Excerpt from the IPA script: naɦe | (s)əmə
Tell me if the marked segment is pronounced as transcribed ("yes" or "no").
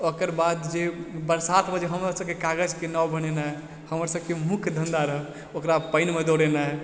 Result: no